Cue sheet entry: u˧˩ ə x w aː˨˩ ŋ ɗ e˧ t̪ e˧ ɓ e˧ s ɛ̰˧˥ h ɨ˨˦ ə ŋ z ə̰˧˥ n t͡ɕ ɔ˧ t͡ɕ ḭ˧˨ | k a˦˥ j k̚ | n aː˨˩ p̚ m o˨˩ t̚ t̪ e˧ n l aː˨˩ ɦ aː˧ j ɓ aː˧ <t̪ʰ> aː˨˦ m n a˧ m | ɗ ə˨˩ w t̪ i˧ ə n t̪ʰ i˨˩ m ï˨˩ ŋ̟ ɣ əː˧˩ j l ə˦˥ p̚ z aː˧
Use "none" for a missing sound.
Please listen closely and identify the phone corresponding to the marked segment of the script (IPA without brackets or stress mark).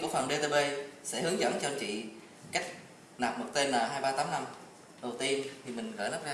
t̪